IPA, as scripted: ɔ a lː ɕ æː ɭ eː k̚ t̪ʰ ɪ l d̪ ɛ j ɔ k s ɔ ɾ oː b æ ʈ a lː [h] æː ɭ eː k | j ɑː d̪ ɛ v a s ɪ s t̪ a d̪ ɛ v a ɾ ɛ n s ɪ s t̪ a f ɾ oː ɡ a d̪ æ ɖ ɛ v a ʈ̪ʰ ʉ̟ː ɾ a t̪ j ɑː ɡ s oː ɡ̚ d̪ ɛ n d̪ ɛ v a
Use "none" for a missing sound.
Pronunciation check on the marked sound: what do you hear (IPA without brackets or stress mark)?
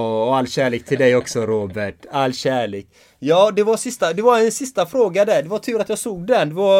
ɕ